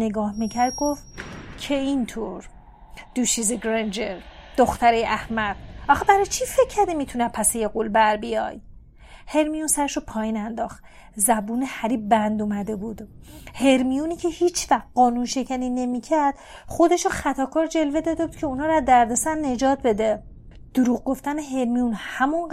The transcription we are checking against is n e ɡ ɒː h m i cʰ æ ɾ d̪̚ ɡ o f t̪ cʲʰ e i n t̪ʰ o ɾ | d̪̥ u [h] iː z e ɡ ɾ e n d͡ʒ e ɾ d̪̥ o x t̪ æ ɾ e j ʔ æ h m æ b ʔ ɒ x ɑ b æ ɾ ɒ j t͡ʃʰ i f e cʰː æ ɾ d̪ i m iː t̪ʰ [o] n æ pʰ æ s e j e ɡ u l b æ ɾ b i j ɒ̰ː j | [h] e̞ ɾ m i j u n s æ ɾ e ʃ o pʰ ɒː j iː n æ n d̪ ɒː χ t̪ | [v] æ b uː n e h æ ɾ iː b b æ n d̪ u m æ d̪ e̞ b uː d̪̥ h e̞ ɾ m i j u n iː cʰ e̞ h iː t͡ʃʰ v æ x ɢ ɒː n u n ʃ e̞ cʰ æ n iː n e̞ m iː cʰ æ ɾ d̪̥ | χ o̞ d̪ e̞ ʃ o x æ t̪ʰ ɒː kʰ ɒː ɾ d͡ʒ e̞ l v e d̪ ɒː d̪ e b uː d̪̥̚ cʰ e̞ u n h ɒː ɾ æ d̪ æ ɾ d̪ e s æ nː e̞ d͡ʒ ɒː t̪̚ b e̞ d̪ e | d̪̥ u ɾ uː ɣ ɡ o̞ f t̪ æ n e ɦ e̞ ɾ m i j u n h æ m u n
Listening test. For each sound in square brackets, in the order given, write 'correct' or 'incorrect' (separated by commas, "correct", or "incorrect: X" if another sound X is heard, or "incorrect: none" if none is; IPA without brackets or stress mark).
incorrect: ʃ, incorrect: u, correct, incorrect: z